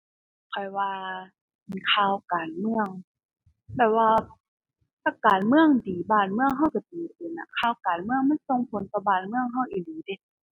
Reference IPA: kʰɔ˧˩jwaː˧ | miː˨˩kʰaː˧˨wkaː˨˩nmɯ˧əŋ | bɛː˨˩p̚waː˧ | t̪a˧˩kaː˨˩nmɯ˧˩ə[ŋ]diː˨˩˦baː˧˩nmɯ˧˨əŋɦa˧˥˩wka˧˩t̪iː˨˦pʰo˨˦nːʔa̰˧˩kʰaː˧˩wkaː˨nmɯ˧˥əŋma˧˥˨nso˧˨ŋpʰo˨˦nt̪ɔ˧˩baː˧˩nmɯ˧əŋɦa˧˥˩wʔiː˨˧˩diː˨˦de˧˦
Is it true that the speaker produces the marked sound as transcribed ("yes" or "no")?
yes